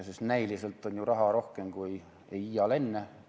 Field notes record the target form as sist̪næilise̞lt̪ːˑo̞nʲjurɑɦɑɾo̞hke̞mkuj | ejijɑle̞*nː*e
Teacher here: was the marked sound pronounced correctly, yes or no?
yes